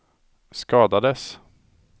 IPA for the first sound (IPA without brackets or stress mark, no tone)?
s